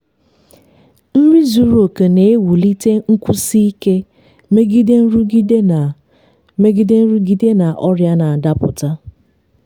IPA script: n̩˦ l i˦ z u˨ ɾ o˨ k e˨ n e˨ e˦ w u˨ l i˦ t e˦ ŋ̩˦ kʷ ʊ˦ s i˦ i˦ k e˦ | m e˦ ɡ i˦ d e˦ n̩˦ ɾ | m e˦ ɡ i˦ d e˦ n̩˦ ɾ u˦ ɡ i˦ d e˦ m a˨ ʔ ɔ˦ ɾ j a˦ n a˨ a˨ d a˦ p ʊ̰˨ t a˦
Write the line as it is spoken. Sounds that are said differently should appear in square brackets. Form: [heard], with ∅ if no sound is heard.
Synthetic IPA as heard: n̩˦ [ɾ] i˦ z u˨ ɾ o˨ k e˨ n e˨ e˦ w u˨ l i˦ t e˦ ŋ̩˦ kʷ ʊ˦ s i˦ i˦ k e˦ | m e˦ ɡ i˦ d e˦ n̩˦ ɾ | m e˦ ɡ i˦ d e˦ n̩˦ ɾ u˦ ɡ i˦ d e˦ [n] a˨ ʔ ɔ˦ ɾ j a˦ n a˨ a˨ d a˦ p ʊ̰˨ t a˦